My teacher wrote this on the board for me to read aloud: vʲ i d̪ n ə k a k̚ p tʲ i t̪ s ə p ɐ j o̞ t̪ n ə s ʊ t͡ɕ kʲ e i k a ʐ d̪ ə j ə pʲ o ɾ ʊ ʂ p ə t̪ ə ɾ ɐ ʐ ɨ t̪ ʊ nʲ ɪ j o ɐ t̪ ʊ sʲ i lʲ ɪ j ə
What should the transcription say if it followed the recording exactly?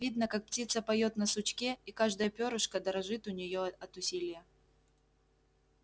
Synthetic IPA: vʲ i d̪ n ə k a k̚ p tʲ i t̪ s ə p ɐ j o̞ t̪ n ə s ʊ t͡ɕ kʲ e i k a ʐ d̪ ə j ə pʲ o ɾ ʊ ʂ k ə d̪ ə ɾ ɐ ʐ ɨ t̪ ʊ nʲ ɪ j o ɐ t̪ ʊ sʲ i lʲ ɪ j ə